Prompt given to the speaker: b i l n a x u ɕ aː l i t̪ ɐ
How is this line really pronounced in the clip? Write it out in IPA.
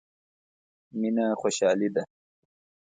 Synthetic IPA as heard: m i n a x o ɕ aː l i d̪ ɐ